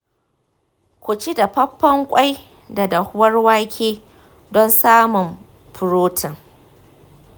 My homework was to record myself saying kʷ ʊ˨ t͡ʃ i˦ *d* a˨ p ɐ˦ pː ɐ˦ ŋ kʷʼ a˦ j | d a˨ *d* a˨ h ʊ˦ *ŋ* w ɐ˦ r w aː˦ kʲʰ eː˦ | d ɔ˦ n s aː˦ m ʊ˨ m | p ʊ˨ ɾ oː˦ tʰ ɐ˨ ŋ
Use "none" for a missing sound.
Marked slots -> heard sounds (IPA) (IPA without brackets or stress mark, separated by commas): d, d, none